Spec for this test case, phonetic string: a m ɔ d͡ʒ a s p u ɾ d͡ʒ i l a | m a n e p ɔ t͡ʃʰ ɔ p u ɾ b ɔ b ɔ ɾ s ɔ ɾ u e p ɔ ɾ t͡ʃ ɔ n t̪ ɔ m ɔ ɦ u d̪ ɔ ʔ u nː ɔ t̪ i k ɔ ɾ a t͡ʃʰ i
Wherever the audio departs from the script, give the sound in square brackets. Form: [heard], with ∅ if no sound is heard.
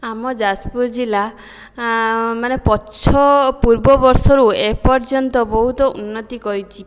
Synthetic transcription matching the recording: a m ɔ d͡ʒ a s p u ɾ d͡ʒ i l a | m a n e p ɔ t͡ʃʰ ɔ p u ɾ b ɔ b ɔ ɾ s ɔ ɾ u e p ɔ ɾ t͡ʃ ɔ n t̪ ɔ [b] ɔ ɦ u [t̪] ɔ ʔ u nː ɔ t̪ i k ɔ ɾ [i] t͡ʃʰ i